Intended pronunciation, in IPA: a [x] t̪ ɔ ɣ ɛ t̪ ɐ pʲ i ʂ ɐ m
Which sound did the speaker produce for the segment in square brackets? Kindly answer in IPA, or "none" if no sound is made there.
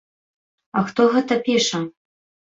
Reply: x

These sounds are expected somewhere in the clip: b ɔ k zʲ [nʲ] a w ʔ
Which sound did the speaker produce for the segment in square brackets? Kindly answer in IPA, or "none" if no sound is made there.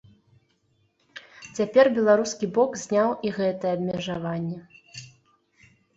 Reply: nʲ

